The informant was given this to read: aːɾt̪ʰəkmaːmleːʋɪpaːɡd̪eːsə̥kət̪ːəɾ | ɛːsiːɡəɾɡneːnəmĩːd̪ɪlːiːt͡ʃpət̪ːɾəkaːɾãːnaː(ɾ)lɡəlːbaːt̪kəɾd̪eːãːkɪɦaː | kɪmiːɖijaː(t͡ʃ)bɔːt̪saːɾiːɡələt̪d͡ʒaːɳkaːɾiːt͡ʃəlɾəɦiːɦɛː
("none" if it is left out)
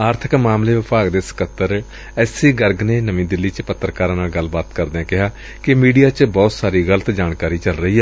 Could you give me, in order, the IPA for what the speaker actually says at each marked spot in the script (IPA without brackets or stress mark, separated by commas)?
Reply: none, t͡ʃ